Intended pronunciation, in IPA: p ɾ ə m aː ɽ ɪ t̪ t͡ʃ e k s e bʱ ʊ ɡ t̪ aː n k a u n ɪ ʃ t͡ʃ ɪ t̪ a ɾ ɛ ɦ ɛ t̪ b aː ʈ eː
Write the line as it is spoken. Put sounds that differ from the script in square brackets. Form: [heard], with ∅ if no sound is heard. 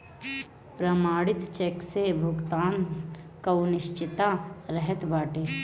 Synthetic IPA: p ɾ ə m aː ɽ ɪ t̪ t͡ʃ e k s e bʱ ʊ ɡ t̪ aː n k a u n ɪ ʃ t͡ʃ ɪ t̪ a ɾ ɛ ɦ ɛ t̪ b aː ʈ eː